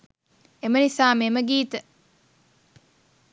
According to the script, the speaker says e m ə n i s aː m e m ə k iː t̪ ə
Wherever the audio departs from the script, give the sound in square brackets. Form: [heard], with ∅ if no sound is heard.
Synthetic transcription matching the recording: e m ə n i s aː m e m ə [ɡ] iː t̪ ə